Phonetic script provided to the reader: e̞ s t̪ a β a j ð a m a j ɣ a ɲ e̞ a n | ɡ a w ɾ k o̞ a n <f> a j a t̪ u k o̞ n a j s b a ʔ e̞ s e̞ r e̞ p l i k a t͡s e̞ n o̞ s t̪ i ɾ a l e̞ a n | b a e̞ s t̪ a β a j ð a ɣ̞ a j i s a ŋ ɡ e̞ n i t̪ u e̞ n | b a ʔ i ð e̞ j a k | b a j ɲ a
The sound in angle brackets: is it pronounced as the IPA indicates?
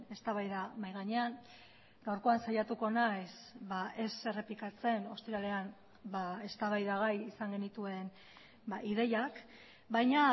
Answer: no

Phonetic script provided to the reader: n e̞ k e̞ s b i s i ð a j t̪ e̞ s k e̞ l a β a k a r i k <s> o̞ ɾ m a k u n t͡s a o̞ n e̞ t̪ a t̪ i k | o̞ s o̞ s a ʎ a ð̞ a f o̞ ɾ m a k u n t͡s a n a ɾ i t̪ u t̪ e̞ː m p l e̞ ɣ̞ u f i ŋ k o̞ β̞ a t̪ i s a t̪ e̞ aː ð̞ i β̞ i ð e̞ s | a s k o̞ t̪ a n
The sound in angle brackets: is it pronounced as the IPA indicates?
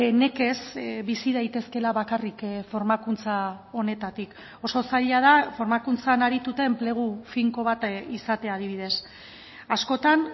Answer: no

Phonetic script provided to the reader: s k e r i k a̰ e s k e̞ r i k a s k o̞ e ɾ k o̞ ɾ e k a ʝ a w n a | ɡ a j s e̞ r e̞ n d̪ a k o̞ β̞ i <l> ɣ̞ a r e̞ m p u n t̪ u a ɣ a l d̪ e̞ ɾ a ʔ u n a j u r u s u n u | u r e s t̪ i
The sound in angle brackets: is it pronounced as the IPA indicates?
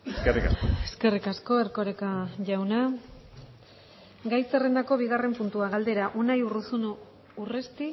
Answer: no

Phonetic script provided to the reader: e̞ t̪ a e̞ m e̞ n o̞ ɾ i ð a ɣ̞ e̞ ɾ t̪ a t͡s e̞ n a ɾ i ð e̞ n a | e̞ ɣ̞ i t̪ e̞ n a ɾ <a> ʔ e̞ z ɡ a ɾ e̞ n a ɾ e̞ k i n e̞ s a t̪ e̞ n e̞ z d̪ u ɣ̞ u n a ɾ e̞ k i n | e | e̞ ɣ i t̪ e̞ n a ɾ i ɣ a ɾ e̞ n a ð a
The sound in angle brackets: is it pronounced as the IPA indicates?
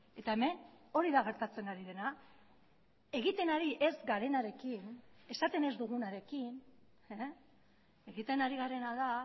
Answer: no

